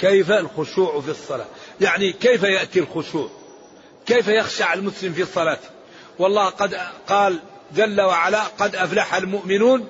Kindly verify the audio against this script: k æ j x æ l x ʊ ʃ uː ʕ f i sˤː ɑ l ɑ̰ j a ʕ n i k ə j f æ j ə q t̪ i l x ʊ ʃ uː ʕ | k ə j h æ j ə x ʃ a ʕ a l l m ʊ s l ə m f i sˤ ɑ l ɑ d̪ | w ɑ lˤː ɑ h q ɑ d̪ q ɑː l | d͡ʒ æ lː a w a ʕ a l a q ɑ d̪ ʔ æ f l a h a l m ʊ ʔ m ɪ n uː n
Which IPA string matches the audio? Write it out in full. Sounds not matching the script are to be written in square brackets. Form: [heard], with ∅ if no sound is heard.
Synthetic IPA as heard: k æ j [f] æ l x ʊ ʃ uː ʕ f i sˤː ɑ l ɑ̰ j a ʕ n i k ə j f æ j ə [ʔ] t̪ i l x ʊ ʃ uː ʕ | k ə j [f] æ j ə x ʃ a ʕ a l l m ʊ s l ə m f i sˤ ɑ l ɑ [t̪] | w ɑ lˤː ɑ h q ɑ d̪ q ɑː l | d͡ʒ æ lː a w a ʕ a l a q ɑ d̪ ʔ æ f l a [ħ] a l m ʊ ʔ m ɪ n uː n